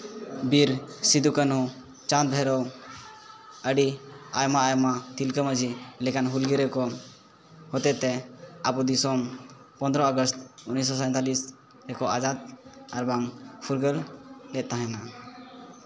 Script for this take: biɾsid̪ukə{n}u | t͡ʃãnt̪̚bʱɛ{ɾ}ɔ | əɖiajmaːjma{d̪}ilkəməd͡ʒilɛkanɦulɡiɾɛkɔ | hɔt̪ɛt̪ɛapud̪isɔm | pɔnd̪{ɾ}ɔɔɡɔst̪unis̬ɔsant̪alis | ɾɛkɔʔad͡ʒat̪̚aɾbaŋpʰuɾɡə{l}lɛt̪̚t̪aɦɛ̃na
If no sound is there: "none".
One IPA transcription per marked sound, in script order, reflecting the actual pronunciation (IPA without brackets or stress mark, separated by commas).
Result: n, ɾ, t̪, ɾ, l